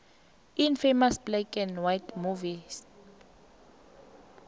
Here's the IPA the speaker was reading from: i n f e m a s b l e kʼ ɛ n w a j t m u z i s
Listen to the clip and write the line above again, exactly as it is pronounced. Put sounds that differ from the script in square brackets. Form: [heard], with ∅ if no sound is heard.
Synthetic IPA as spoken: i n f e m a s b l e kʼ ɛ n w a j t m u [v] i s